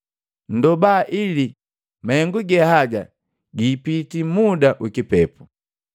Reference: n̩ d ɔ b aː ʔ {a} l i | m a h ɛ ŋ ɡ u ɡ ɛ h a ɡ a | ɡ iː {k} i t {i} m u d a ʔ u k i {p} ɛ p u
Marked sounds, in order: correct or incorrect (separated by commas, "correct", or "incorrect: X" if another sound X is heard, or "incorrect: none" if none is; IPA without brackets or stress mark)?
incorrect: i, incorrect: p, correct, correct